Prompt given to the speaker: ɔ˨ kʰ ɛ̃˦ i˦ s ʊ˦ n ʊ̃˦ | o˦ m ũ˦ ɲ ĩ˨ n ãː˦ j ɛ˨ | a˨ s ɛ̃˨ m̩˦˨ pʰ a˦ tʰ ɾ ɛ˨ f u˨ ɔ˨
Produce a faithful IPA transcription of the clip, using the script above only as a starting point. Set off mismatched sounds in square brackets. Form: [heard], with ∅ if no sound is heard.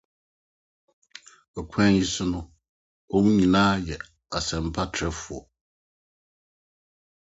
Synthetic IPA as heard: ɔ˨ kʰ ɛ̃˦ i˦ s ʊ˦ n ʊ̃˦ | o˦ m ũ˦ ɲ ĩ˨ n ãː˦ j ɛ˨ | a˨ s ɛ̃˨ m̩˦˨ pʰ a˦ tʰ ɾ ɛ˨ f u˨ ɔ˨